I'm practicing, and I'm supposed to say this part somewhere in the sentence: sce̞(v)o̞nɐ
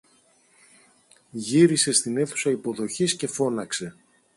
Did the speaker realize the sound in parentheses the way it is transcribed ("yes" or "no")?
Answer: no